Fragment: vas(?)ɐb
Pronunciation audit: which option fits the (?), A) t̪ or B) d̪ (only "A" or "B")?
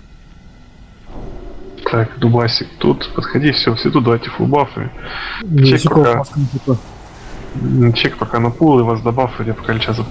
B